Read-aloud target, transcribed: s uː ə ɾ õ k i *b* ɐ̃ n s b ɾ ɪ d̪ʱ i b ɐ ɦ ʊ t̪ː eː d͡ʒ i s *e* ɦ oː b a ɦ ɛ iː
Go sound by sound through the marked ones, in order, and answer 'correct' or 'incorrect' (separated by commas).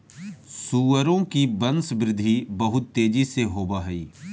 correct, correct